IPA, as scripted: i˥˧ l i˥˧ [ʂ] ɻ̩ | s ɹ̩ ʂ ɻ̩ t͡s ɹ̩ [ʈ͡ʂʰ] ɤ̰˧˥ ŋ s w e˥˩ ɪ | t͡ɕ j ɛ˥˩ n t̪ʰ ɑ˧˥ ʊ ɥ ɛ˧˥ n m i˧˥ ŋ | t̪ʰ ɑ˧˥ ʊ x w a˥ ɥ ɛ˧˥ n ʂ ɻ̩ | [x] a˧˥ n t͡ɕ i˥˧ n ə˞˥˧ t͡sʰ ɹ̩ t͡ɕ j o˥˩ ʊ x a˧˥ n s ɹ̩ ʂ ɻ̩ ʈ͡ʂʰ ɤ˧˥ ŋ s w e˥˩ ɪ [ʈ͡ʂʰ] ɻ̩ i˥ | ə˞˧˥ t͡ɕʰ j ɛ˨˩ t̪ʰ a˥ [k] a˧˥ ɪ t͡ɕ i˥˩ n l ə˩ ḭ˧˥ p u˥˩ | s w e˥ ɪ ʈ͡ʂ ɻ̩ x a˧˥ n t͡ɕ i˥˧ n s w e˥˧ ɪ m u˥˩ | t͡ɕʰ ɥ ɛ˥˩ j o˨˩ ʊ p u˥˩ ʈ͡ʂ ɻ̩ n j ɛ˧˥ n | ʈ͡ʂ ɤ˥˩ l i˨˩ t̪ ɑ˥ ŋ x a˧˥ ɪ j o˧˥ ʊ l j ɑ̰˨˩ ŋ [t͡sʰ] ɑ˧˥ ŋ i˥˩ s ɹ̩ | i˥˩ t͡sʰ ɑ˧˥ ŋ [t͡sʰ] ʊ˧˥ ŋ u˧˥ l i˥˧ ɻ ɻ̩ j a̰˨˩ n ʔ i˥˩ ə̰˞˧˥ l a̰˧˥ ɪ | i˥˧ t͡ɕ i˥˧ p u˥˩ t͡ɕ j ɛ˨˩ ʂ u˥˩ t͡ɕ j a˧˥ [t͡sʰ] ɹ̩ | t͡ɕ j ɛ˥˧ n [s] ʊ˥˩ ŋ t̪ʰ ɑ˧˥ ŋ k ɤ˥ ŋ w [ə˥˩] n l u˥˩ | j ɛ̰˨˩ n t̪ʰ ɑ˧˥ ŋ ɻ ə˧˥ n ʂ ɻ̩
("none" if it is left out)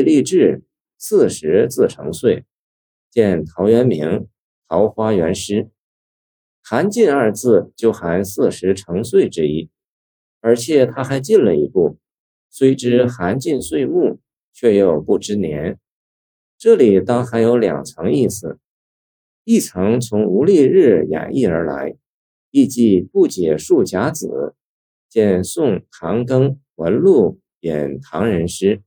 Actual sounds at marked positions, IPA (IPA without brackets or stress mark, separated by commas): ʈ͡ʂ, ʈ͡ʂʰ, x, ʈ͡ʂ, x, t͡sʰ, t͡sʰ, t͡s, s, ə˧˥